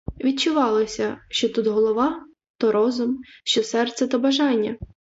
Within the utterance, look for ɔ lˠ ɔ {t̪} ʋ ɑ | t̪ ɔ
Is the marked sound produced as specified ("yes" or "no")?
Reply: no